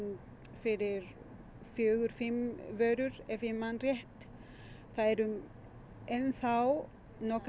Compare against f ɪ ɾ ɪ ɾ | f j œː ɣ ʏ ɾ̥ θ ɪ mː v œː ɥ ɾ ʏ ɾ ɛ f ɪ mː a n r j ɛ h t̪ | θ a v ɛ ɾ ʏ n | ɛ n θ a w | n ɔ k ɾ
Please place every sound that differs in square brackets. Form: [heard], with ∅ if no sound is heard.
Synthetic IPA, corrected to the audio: f ɪ ɾ ɪ ɾ | f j œː ɣ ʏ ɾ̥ [f] ɪ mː v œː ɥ ɾ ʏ ɾ ɛ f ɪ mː a n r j ɛ h t̪ | θ a [ð] ɛ ɾ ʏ [m] | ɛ n θ a w | n ɔ k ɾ